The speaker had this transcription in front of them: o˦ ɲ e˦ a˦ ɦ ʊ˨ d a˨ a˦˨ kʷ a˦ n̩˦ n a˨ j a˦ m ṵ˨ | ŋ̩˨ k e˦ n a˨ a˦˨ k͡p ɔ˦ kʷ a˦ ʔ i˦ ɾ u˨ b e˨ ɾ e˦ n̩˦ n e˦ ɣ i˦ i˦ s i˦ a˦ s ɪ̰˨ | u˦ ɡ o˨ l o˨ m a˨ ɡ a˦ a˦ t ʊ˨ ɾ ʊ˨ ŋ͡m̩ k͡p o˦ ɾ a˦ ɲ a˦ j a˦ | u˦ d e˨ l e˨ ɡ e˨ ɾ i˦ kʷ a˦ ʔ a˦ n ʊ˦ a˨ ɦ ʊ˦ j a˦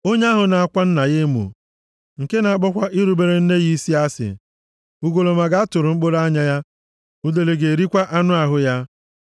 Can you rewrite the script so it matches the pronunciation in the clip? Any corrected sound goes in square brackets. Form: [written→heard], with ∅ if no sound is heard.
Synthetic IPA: o˦ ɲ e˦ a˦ ɦ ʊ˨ [d→n] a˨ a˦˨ kʷ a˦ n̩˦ n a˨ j [a˦→e˦] m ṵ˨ | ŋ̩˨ k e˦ n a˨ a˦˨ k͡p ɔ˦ kʷ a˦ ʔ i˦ ɾ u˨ b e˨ ɾ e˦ n̩˦ n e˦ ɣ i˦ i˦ s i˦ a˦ s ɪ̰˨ | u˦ ɡ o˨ l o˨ m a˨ ɡ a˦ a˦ t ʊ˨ ɾ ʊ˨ ŋ͡m̩ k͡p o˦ ɾ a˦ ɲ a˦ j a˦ | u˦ d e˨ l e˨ ɡ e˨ ɾ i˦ kʷ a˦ ʔ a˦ n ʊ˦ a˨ ɦ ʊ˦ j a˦